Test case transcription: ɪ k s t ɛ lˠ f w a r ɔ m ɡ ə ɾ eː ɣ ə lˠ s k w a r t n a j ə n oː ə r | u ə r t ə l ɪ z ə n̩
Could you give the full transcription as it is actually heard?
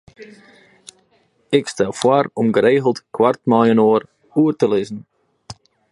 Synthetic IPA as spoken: ɪ k s t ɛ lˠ f w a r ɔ m ɡ ə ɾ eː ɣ ə lˠ t k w a r t m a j ə n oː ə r | u ə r t ə l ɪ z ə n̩